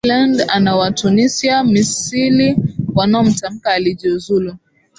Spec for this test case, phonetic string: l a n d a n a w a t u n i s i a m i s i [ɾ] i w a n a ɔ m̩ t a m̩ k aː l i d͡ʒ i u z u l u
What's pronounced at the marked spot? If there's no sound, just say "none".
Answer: l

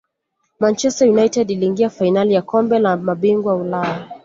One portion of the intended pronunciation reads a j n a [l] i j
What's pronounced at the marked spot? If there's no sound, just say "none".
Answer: l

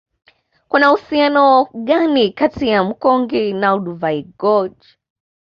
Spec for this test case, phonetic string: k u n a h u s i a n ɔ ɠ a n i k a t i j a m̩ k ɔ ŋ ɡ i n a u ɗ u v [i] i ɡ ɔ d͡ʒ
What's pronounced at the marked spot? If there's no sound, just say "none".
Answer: a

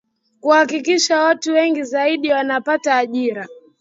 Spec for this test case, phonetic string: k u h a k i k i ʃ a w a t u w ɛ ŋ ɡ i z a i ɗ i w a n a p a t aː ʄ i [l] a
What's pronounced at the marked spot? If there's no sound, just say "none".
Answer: ɾ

